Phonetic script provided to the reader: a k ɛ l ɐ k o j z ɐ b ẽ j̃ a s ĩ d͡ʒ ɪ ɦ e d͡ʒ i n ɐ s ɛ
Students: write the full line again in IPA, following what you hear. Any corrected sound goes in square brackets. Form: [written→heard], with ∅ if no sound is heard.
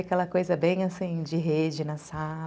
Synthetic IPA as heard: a k ɛ l ɐ k o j z ɐ b ẽ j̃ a s ĩ d͡ʒ ɪ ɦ e d͡ʒ [i→ɪ] n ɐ s [ɛ→a]